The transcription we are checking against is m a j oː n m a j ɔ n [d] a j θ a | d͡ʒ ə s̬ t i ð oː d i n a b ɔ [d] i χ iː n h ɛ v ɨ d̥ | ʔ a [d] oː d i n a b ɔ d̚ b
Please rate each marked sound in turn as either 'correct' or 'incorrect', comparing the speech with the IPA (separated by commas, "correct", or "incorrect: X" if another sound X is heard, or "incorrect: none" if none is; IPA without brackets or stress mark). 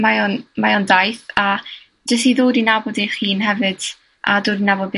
correct, correct, correct